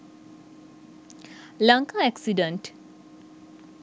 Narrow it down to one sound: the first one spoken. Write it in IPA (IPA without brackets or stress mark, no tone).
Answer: l